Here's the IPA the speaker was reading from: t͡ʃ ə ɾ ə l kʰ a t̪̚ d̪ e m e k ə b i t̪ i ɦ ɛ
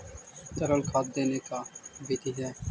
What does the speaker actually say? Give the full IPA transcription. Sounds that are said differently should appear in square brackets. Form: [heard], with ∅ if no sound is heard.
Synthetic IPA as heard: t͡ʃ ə ɾ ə l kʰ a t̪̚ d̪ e [n] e k [a] b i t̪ i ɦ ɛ